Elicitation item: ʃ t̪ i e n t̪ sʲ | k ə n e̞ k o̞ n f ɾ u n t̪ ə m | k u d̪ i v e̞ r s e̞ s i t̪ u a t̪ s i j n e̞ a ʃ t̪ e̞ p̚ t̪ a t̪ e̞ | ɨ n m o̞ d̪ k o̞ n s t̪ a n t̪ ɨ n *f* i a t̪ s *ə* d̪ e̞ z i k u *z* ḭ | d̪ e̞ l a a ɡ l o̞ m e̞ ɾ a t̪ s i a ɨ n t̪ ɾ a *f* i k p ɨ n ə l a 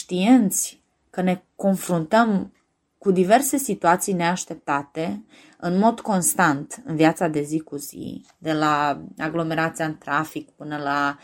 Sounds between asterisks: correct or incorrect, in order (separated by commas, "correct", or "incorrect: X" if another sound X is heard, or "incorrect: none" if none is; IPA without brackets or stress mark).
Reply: incorrect: v, incorrect: a, correct, correct